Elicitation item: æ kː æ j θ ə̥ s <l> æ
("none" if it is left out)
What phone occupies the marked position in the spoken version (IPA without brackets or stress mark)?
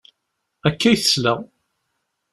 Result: l